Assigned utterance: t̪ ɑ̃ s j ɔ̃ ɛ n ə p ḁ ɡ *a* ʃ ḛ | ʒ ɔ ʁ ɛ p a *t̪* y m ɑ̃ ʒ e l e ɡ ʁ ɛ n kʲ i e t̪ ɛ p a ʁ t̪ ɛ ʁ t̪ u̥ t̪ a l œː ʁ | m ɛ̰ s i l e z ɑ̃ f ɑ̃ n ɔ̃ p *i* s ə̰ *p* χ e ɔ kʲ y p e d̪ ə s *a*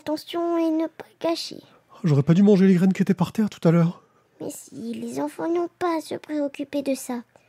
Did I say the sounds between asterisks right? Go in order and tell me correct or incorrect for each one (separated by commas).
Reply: correct, incorrect, incorrect, correct, correct